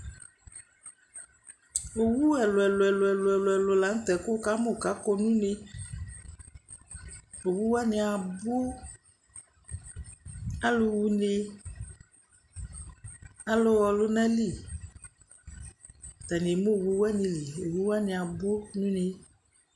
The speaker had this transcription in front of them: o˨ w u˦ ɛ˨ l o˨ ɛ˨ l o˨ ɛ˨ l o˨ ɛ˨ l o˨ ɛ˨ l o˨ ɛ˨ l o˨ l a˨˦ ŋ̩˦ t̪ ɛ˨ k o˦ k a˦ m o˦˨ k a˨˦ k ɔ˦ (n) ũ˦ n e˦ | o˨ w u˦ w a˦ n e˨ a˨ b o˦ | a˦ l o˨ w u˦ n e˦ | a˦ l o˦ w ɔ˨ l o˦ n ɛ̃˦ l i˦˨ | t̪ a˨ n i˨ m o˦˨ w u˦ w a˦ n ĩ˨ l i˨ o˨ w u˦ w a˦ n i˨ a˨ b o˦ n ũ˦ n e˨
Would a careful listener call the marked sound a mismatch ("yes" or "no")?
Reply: no